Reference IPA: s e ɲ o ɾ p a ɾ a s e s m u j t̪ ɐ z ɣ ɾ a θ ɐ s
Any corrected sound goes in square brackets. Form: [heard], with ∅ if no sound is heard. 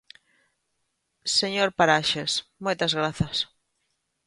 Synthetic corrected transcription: s e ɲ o ɾ p a ɾ a [ʃ] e s m [o] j t̪ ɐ z ɣ ɾ a θ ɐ s